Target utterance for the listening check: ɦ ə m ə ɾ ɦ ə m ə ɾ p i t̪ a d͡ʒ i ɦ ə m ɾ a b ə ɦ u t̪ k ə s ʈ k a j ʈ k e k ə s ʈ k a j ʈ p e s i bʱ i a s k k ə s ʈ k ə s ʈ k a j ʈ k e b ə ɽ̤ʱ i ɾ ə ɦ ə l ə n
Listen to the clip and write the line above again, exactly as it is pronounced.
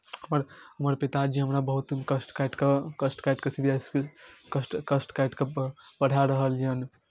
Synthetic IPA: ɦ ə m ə ɾ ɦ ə m ə ɾ p i t̪ a d͡ʒ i ɦ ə m ɾ a b ə ɦ u t̪ k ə s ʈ k a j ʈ k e k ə s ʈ k a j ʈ k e s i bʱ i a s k k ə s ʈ k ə s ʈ k a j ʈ k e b ə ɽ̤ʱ a ɾ ə ɦ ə l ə n

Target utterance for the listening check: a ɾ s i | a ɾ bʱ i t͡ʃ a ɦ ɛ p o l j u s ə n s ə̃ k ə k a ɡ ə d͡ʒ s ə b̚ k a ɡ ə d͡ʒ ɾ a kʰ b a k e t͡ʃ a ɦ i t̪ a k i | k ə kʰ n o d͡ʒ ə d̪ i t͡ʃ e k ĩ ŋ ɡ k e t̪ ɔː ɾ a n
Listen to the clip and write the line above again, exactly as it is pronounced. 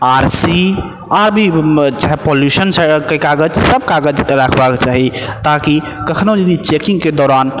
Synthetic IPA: a ɾ s i | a ɾ bʱ i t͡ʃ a ɦ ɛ p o l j u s ə n s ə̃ k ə k a ɡ ə d͡ʒ s ə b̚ k a ɡ ə d͡ʒ ɾ a kʰ b a k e t͡ʃ a ɦ i t̪ a k i | k ə kʰ n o d͡ʒ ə d̪ i t͡ʃ e k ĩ ŋ ɡ k e d̪ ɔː ɾ a n

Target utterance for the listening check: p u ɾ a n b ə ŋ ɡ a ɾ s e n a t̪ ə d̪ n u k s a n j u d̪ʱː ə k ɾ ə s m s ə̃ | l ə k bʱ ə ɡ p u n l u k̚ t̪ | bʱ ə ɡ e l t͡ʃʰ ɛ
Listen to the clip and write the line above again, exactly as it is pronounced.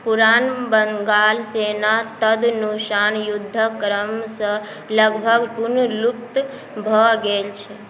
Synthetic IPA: p u ɾ a n b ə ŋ ɡ a l s e n a t̪ ə d̪ n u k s a n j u d̪ʱː ə k ɾ ə m s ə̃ | l ə ɡ bʱ ə ɡ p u n l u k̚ t̪ | bʱ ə ɡ e l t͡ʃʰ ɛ

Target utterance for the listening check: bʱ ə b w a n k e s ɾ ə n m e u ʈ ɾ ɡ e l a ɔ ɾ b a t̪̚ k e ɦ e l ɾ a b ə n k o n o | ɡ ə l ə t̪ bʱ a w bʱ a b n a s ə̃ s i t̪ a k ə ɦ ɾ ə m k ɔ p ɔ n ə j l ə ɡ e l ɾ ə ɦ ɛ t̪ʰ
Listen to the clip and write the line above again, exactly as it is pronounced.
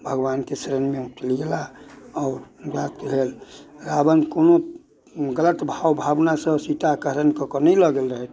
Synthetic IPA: bʱ ə ɡ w a n k e s ɾ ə n m e u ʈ l ɡ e l a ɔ ɾ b a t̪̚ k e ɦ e l ɾ a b ə n k o n o | ɡ ə l ə t̪ bʱ a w bʱ a b n a s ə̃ s i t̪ a k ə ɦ ɾ ə n k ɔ k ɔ n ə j l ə ɡ e l ɾ ə ɦ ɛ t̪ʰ

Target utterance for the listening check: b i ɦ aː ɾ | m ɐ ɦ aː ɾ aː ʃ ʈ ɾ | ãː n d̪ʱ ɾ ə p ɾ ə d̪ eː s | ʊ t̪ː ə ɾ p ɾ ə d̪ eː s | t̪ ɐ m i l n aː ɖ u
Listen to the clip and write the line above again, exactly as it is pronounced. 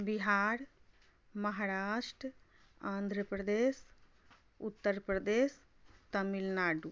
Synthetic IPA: b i ɦ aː ɾ | m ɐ ɦ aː ɾ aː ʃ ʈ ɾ | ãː n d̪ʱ ɾ ə p ɾ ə d̪ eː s | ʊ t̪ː ə ɾ p ɾ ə d̪ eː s | t̪ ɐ m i l n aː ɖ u

